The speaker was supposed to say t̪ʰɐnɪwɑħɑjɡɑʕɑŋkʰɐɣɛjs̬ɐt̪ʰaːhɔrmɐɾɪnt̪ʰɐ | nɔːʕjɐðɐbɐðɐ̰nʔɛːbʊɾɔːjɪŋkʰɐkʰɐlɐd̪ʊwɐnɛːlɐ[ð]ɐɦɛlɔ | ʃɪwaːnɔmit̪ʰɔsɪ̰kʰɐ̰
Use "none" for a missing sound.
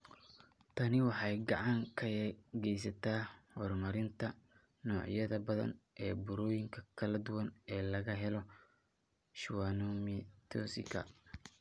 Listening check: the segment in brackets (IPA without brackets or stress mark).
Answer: ɣ